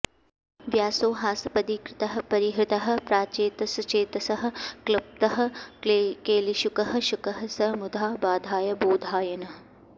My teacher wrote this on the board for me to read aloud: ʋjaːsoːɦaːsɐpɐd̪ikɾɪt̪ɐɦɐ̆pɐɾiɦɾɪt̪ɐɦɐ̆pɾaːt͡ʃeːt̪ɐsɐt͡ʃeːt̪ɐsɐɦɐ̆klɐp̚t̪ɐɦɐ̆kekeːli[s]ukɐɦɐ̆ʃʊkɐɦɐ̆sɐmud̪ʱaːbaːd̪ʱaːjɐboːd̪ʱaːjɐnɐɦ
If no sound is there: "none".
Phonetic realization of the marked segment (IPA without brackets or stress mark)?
ʃ